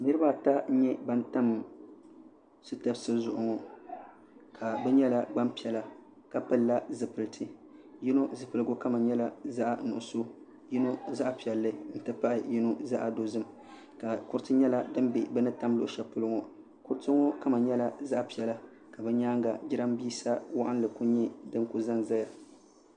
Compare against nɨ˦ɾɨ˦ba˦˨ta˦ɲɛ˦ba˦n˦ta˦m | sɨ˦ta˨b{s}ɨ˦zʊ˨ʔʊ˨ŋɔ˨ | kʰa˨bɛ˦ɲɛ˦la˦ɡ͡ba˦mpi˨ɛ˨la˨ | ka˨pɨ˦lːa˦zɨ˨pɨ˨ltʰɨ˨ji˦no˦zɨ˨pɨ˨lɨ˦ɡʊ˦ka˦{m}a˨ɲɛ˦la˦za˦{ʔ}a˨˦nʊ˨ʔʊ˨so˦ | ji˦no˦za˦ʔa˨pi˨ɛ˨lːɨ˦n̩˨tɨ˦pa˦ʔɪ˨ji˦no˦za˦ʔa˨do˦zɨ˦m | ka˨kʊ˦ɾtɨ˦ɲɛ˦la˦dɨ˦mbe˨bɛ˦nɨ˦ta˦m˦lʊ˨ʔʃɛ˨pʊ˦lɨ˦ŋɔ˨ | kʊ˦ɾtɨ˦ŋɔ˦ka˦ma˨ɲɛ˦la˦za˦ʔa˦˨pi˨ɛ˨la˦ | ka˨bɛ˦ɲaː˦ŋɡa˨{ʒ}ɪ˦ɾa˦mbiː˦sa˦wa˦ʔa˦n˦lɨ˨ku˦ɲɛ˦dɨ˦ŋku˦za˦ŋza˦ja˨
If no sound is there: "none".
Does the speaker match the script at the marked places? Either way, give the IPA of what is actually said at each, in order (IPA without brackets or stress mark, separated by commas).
s, m, ʔ, d͡ʒ